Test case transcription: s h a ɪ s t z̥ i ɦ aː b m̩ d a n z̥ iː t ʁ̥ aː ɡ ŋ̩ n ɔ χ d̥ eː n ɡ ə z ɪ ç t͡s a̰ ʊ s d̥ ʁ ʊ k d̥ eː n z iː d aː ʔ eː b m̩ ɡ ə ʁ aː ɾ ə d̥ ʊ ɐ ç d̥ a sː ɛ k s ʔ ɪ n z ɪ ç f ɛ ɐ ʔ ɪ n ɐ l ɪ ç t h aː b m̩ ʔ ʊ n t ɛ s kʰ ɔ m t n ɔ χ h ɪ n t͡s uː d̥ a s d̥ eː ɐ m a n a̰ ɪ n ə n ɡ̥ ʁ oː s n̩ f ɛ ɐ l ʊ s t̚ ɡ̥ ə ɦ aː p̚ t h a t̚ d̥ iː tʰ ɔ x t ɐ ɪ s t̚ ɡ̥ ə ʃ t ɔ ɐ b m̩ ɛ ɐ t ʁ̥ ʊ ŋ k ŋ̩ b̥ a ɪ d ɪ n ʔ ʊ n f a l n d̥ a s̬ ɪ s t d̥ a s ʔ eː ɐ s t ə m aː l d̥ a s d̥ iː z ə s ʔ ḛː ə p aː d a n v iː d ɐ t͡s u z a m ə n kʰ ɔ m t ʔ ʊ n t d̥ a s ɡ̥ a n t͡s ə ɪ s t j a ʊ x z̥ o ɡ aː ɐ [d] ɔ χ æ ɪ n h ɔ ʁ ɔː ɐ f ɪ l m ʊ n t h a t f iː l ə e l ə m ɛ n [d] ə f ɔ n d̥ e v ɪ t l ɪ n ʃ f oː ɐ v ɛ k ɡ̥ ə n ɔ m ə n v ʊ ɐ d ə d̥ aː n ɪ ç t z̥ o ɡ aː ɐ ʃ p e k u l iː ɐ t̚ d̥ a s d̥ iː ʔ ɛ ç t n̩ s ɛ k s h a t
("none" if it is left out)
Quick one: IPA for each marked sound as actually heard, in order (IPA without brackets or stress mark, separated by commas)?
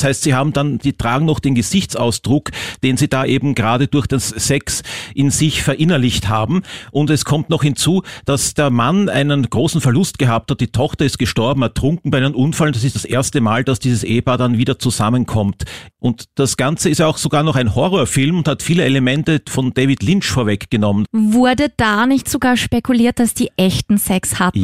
n, t